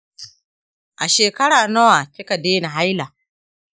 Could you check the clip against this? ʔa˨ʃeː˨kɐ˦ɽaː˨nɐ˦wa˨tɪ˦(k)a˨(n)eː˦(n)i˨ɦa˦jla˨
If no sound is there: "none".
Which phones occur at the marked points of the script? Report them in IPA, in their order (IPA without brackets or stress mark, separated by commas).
k, d, n